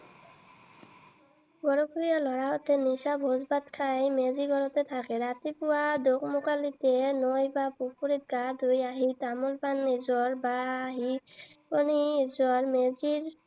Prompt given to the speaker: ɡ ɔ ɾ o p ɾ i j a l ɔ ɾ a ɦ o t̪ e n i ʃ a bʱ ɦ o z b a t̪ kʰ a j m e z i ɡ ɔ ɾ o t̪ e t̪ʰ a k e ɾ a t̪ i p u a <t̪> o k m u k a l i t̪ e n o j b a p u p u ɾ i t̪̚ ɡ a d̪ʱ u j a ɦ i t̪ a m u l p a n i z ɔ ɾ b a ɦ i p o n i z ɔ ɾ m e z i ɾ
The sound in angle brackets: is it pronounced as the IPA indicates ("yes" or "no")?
no